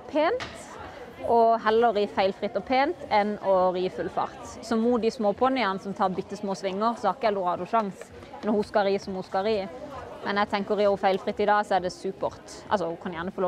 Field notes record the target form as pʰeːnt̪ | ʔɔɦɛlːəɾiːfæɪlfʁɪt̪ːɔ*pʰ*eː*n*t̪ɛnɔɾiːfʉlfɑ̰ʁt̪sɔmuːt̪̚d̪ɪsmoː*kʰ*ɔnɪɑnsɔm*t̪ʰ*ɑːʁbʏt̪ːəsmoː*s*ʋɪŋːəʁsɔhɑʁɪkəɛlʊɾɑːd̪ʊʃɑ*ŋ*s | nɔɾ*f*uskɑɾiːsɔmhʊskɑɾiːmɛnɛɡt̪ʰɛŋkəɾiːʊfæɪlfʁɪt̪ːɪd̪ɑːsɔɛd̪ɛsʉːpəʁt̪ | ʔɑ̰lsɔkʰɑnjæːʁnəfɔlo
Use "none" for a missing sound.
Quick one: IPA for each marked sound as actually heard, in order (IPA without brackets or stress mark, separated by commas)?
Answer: pʰ, n, pʰ, t̪ʰ, s, ŋ, h